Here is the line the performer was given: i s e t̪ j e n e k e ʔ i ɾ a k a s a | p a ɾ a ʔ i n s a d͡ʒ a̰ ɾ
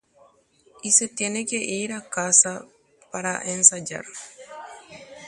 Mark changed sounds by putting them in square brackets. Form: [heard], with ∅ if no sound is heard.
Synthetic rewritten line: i s e t̪ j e n e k e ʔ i ɾ a k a s a | p a ɾ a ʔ [e] n s a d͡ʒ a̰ ɾ